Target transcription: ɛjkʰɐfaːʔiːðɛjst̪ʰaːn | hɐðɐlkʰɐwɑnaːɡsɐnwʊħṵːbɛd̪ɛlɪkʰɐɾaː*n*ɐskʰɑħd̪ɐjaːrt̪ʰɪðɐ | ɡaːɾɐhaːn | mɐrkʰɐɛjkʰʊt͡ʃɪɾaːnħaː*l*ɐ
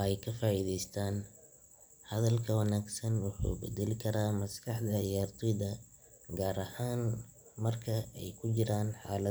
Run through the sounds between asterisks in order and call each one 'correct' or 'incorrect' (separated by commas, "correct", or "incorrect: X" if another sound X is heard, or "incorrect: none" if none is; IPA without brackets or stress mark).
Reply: incorrect: m, correct